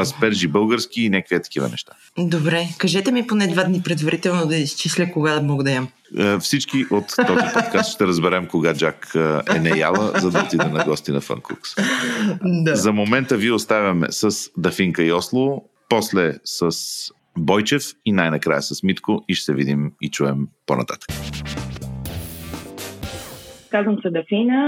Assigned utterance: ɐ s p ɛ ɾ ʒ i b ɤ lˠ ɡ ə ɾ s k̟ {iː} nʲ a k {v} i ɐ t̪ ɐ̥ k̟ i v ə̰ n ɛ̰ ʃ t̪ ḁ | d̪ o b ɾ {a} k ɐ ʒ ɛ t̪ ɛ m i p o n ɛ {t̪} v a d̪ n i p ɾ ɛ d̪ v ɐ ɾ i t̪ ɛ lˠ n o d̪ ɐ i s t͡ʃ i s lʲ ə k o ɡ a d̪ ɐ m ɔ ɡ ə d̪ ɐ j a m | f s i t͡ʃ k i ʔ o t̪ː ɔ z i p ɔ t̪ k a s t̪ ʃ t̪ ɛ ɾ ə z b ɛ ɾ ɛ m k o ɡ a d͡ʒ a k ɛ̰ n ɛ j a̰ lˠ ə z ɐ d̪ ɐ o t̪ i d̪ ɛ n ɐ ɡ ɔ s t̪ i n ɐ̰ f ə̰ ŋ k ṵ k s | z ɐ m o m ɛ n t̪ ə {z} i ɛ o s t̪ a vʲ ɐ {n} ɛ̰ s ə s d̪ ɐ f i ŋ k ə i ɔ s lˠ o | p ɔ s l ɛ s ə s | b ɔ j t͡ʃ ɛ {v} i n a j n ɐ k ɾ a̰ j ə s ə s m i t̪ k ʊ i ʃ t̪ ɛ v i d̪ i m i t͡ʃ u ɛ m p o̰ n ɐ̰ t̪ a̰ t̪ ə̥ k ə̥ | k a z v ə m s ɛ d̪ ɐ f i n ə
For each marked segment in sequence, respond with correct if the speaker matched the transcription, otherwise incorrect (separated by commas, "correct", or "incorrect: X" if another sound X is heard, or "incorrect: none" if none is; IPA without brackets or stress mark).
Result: correct, correct, incorrect: ɛ, incorrect: d̪, incorrect: v, incorrect: m, incorrect: f